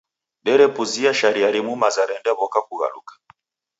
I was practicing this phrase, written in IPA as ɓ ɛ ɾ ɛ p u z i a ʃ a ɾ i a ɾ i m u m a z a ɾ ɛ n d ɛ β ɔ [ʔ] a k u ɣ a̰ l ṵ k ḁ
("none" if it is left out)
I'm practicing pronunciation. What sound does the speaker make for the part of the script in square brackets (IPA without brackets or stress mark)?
k